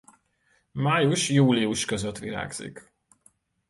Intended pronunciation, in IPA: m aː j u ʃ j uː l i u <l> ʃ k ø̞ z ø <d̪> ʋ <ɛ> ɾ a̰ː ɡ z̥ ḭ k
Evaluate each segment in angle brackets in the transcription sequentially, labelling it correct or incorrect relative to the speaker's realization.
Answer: incorrect: none, incorrect: t̪, incorrect: i

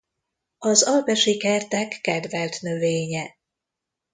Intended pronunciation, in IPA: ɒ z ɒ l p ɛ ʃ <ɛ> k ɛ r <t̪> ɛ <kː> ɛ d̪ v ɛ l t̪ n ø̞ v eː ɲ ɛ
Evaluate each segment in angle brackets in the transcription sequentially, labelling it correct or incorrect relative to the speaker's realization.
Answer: incorrect: i, correct, correct

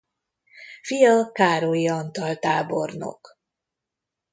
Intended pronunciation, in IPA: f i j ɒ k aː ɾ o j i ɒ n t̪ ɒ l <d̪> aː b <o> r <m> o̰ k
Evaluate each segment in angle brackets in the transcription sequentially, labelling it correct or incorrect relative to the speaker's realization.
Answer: incorrect: t̪, correct, incorrect: n

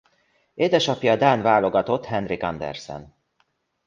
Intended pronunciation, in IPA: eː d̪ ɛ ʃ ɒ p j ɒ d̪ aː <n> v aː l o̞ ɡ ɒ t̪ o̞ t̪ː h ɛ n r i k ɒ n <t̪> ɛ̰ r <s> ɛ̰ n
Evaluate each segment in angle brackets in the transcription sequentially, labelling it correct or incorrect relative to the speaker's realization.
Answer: correct, incorrect: d̪, correct

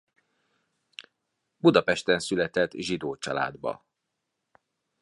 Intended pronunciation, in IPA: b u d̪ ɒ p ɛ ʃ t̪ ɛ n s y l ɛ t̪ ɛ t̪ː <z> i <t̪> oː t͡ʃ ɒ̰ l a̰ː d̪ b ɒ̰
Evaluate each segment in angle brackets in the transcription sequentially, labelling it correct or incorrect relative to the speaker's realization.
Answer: incorrect: ʒ, incorrect: d̪

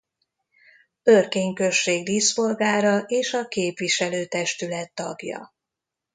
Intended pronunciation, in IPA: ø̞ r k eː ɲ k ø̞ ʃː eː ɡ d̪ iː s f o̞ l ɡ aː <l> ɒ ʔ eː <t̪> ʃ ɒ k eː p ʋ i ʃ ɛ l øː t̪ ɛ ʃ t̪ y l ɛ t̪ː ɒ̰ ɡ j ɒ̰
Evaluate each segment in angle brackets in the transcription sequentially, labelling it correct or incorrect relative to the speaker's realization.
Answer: incorrect: ɾ, incorrect: none

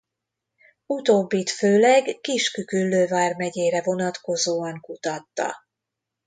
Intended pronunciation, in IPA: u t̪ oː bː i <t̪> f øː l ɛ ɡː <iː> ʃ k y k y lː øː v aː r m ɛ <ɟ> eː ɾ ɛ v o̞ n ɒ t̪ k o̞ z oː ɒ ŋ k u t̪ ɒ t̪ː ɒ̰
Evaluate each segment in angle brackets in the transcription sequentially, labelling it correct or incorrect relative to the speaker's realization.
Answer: correct, incorrect: i, correct

